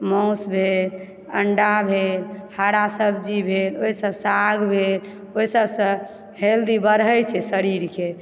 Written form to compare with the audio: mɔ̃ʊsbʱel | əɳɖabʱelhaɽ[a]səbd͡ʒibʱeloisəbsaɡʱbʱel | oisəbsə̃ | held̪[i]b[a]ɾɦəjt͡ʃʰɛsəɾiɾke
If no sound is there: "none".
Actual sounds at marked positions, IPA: a, i, ə

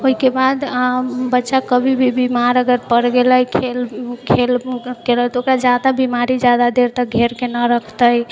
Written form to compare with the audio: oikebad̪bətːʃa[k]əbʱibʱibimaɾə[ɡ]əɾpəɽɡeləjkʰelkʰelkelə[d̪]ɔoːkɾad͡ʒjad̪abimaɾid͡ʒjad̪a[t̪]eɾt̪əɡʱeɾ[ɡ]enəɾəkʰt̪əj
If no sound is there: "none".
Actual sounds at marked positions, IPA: k, ɡ, t̪, d̪, k

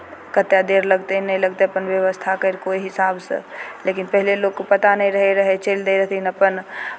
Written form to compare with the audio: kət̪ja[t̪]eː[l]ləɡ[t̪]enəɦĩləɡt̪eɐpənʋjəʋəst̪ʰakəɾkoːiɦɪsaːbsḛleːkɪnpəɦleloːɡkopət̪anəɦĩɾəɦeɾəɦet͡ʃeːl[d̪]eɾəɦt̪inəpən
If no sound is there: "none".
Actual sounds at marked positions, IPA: d̪, ɾ, t̪, d̪

